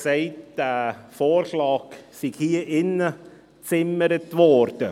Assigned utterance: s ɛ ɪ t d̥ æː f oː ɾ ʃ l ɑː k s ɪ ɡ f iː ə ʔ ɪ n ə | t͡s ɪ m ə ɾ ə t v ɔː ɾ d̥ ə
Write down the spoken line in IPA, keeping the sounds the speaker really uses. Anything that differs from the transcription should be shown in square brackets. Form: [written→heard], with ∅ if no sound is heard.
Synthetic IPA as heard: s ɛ ɪ t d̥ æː f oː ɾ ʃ l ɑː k s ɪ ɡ [f→h] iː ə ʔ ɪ n ə | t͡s ɪ m ə ɾ ə t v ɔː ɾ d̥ ə